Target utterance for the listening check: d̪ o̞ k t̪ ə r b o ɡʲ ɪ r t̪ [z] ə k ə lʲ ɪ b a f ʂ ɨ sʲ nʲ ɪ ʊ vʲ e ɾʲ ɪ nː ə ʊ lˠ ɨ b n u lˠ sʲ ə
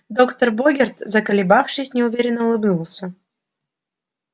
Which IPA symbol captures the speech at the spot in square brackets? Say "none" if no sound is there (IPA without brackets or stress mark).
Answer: z